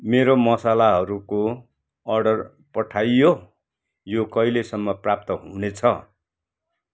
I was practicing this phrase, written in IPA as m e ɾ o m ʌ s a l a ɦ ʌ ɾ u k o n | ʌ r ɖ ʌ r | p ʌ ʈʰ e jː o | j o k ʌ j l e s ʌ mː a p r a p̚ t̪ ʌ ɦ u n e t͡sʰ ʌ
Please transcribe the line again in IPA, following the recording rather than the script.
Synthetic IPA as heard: m e ɾ o m ʌ s a l a ɦ ʌ ɾ u k o | ʌ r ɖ ʌ r | p ʌ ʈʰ a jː o | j o k ʌ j l e s ʌ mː ʌ p r a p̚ t̪ ʌ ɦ u n e t͡sʰ ʌ